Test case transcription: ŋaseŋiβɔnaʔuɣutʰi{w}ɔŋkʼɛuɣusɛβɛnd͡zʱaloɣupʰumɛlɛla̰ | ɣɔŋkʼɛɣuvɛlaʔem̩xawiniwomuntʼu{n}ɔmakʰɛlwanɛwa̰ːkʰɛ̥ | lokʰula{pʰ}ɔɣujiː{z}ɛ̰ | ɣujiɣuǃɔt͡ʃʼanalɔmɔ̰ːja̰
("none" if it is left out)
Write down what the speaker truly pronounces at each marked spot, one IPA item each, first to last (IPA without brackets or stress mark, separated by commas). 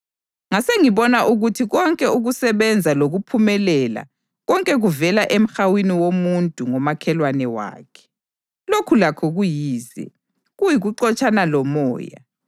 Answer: ɣ, ŋ, kʰ, z